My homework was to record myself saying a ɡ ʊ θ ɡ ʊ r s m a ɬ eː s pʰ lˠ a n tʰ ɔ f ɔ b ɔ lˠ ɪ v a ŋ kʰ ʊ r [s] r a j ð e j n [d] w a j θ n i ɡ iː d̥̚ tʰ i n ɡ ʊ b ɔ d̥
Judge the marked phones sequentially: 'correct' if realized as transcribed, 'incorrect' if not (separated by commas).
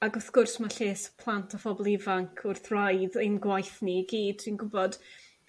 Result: incorrect, incorrect